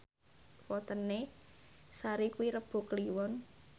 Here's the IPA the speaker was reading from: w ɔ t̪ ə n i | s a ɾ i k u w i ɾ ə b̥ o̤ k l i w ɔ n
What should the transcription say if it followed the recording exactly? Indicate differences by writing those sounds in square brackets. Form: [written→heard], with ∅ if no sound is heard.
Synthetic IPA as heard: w ɔ t̪ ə n [i→e] | s a ɾ i k u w i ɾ ə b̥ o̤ k l i w ɔ n